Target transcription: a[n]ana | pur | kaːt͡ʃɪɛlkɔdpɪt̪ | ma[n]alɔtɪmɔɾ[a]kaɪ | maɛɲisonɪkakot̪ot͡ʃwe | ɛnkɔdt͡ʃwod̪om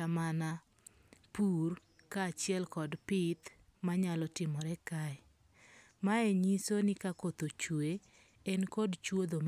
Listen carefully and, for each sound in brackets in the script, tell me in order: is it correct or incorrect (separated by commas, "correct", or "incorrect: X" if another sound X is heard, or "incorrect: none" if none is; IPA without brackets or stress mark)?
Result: incorrect: m, incorrect: ɲ, incorrect: ɛ